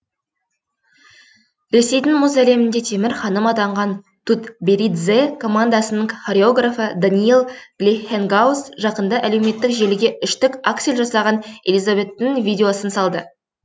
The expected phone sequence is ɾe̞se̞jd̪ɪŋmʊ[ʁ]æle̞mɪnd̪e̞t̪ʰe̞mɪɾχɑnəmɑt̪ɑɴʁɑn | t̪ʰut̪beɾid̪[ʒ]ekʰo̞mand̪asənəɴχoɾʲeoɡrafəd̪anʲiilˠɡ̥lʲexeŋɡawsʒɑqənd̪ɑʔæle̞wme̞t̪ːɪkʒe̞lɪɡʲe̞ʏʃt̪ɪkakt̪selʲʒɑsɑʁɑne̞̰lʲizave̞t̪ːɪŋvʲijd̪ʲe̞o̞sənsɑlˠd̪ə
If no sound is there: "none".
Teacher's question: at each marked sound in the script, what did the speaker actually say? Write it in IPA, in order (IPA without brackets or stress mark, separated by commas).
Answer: z, z